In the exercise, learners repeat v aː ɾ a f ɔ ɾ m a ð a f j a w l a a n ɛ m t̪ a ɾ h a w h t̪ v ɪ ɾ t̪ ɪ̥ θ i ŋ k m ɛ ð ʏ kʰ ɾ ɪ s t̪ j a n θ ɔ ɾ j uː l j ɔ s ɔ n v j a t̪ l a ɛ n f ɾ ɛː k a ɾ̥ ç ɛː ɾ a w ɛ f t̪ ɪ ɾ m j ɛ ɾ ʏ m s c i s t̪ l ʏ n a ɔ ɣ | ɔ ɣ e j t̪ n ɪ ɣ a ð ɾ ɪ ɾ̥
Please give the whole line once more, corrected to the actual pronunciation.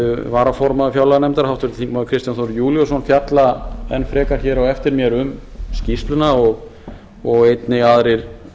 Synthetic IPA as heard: v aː ɾ a f ɔ ɾ m a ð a f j a w l a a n ɛ m t̪ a ɾ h a w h t̪ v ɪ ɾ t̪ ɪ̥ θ i ŋ k m a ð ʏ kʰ ɾ ɪ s t̪ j a n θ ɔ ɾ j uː l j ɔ s ɔ n f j a t̪ l a ɛ n f ɾ ɛː k a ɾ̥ ç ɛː ɾ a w ɛ f t̪ ɪ ɾ m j ɛ ɾ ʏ m s c i s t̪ l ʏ n a ɔ ɣ | ɔ ɣ e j t̪ n ɪ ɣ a ð ɾ ɪ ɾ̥